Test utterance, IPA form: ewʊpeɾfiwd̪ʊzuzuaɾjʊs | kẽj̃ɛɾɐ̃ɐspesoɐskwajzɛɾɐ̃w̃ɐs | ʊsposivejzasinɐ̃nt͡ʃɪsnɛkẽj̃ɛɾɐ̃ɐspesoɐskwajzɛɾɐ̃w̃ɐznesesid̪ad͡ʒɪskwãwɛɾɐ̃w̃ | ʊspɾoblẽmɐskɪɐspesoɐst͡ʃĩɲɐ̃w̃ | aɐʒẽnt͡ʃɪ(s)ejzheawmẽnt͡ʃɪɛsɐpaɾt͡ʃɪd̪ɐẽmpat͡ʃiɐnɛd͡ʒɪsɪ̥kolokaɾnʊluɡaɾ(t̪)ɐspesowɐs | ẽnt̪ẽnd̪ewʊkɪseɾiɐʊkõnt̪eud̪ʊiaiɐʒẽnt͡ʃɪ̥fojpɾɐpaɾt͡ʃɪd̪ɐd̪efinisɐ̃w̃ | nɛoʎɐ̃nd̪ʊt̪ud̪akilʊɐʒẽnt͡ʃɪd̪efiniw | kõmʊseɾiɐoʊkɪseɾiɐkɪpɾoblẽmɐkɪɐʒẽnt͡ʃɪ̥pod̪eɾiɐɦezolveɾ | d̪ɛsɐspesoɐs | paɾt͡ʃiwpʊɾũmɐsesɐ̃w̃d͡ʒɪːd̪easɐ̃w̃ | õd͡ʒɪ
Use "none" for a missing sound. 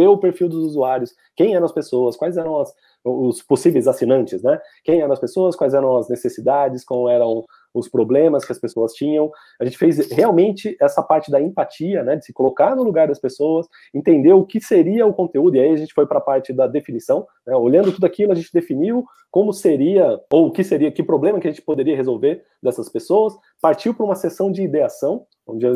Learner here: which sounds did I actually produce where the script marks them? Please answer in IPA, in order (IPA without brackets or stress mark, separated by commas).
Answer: f, d̪